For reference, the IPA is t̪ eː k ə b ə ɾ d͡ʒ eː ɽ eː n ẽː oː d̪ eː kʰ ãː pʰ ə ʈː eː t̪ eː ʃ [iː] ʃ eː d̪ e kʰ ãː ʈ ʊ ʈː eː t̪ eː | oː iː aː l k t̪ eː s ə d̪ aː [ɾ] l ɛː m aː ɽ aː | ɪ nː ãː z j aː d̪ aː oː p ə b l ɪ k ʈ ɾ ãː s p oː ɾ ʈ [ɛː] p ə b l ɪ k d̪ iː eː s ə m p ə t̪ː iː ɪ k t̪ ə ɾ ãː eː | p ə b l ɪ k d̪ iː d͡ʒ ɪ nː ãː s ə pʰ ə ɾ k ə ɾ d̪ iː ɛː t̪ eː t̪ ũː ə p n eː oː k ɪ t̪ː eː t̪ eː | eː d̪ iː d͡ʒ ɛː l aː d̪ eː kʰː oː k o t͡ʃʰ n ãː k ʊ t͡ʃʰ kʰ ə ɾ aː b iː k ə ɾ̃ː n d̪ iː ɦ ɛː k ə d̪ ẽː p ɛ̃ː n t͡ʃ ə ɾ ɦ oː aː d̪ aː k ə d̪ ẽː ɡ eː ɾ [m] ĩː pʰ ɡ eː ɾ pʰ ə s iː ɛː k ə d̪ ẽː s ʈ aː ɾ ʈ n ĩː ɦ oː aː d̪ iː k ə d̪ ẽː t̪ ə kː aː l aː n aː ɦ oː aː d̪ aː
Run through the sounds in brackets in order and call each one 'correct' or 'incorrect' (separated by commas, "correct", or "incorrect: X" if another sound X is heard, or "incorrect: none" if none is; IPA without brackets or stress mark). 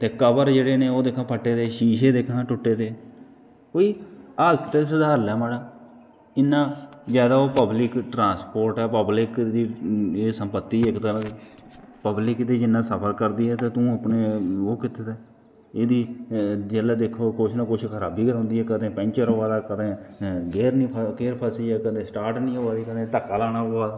correct, correct, correct, incorrect: n